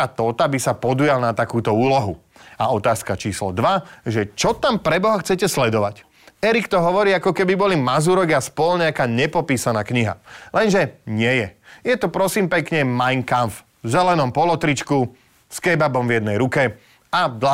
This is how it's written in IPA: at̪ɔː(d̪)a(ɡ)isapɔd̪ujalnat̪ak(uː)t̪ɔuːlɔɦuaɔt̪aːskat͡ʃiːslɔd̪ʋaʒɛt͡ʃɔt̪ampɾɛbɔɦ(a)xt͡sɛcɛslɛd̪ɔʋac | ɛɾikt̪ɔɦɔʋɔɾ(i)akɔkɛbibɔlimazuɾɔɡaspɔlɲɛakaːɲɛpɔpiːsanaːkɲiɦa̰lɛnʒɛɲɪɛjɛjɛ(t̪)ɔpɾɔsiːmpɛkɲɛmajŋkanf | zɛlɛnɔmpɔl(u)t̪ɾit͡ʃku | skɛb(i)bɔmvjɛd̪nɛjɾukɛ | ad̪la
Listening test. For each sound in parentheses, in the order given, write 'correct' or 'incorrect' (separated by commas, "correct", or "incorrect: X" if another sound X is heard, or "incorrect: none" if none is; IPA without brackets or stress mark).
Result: incorrect: t̪, incorrect: b, correct, correct, incorrect: iː, correct, incorrect: ɔ, incorrect: a